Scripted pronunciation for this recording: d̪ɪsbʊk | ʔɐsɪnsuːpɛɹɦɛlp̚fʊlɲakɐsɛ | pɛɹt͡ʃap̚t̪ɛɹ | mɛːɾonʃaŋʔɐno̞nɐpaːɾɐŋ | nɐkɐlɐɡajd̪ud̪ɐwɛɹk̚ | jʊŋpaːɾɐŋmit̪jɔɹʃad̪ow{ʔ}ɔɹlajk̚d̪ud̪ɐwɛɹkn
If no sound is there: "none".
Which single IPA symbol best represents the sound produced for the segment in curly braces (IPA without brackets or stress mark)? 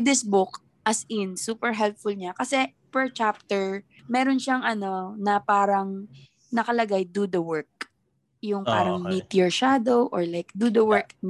ʔ